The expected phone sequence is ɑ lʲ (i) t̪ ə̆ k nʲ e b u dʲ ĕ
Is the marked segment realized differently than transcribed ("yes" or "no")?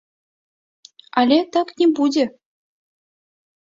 yes